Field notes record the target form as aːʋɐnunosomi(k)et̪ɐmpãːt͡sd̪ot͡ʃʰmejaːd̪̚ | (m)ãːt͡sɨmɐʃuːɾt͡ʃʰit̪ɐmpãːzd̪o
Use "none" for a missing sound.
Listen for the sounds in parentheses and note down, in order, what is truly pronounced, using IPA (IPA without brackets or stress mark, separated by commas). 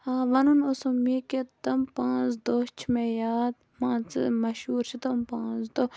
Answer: k, m